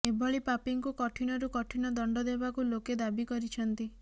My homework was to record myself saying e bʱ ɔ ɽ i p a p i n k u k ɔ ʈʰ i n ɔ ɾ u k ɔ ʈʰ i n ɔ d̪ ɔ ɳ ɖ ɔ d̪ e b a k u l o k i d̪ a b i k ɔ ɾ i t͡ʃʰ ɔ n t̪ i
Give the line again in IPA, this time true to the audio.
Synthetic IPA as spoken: e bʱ ɔ ɭ i p a p i ŋ k u k ɔ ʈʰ i n ɔ ɾ u k ɔ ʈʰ i n ɔ d̪ ɔ ɳ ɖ ɔ d̪ e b a k u l o k e d̪ a b i k ɔ ɾ i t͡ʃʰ ɔ n t̪ i